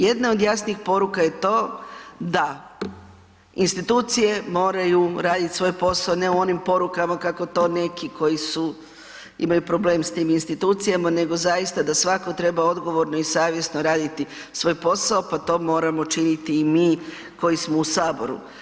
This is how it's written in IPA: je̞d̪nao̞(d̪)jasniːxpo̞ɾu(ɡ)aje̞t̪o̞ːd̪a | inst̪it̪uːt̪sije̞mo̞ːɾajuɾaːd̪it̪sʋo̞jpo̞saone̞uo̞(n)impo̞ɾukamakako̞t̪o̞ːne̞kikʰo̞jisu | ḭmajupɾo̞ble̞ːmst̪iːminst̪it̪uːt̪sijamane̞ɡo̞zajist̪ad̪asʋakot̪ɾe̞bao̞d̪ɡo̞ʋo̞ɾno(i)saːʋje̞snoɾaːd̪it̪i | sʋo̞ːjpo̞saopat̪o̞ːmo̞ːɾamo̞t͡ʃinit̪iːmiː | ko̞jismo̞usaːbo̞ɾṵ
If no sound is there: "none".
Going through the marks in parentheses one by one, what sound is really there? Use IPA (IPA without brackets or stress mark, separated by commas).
d̪, k, n, i